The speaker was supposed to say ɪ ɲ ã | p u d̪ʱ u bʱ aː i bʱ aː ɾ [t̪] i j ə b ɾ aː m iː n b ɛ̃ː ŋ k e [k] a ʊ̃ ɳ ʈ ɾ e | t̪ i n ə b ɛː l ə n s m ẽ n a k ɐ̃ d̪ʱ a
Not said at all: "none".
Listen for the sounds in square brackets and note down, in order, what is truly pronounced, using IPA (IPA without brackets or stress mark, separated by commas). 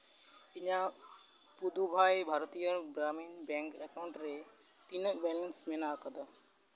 t̪, k